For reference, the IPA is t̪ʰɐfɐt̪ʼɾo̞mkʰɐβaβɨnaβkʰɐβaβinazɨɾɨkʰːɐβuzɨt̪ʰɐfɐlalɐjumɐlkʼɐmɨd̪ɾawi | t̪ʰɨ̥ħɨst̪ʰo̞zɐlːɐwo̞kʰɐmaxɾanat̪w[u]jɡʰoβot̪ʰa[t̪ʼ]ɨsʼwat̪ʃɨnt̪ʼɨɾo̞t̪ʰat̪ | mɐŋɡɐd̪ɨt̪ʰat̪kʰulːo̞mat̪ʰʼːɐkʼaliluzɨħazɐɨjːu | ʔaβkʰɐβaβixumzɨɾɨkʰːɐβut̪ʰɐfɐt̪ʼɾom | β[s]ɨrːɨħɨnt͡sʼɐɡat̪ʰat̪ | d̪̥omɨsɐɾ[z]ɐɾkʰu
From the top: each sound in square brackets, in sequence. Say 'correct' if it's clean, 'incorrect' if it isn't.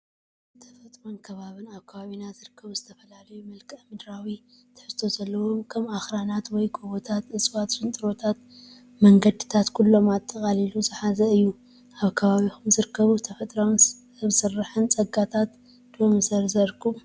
incorrect, incorrect, correct, correct

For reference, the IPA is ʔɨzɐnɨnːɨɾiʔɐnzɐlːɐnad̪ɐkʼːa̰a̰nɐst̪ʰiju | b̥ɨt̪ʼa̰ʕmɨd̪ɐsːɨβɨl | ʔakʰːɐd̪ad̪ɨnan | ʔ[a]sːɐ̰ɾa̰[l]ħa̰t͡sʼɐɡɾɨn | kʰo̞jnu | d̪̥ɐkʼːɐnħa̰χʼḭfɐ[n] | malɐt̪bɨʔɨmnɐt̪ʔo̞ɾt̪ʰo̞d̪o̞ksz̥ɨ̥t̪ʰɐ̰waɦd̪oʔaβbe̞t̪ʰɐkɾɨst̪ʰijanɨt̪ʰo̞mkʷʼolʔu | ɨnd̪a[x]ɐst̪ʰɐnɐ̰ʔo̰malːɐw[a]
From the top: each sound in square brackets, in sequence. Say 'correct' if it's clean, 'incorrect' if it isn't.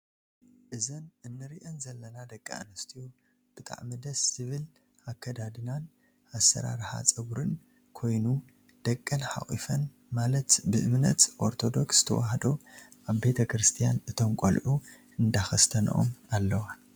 correct, incorrect, correct, correct, correct

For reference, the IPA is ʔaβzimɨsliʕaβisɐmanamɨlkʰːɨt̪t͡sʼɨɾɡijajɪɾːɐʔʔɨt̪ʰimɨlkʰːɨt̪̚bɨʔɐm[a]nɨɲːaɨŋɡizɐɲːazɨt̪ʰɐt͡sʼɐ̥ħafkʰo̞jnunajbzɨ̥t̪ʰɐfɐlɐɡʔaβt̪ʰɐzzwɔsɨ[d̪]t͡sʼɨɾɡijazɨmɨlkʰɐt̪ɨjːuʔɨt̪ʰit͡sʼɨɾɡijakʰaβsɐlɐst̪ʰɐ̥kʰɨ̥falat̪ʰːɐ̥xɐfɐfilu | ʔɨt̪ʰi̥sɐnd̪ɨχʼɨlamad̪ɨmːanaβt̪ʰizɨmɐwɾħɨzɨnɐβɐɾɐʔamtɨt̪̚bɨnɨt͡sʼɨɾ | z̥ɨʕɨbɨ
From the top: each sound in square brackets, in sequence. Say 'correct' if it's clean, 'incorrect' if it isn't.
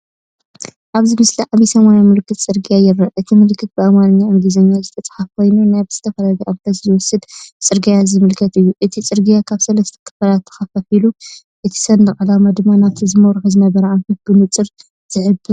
correct, correct

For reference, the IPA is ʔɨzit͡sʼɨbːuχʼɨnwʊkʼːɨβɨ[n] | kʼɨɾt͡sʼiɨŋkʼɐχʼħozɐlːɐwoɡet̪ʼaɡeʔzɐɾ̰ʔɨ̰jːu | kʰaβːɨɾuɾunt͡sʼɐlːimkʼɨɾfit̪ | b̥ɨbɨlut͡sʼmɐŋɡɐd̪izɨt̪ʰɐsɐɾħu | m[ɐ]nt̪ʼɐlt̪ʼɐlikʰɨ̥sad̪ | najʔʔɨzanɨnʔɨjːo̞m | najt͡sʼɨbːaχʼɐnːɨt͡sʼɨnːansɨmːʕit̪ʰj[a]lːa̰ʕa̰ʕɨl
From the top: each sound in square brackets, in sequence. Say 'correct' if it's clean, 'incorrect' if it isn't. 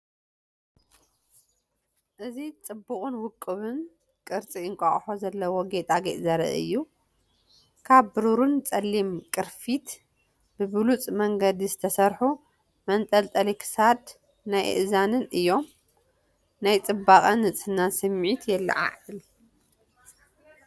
correct, correct, incorrect

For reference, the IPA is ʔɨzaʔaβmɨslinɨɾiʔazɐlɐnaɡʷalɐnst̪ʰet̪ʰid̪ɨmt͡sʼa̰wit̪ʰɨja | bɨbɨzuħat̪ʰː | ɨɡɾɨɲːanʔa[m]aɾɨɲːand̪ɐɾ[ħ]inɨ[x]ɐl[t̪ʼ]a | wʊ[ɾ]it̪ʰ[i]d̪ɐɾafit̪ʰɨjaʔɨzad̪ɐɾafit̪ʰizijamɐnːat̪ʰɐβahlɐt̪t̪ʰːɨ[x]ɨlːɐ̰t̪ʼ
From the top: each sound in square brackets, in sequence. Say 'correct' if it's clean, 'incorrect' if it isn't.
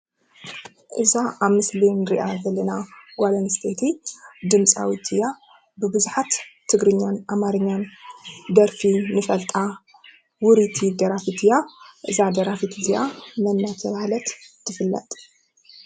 correct, incorrect, incorrect, correct, correct, correct, incorrect

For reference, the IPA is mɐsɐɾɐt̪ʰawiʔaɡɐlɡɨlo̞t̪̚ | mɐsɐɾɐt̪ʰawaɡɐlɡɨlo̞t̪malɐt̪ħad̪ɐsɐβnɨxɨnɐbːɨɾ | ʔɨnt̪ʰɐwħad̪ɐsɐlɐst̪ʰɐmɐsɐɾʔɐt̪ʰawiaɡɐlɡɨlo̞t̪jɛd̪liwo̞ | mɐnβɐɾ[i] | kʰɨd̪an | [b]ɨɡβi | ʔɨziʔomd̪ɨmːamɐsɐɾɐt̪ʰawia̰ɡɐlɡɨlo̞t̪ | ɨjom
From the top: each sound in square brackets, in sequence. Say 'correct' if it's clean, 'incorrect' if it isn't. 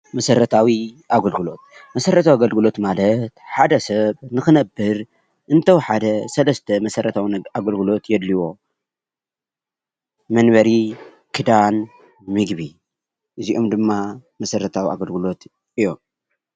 correct, incorrect

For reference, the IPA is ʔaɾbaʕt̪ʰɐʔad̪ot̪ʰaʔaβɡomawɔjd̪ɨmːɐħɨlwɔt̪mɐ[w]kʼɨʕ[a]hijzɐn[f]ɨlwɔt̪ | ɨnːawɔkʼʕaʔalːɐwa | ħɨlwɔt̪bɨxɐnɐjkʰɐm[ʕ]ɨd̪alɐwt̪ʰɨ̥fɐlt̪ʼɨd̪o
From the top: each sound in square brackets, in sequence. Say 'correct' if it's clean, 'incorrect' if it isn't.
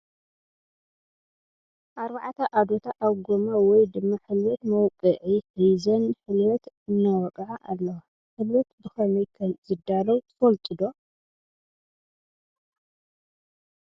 correct, incorrect, incorrect, incorrect

